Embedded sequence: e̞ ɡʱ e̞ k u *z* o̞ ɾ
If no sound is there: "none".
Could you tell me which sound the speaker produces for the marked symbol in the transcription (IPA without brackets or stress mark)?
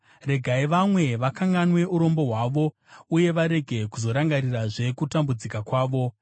z